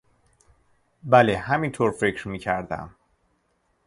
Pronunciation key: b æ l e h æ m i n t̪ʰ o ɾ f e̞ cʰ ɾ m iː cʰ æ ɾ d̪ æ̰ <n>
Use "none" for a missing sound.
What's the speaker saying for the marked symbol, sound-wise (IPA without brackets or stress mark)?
m